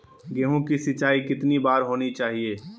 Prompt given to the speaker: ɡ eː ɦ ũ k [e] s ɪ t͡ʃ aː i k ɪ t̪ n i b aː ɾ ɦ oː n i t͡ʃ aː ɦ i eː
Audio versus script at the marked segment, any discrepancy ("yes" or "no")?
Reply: yes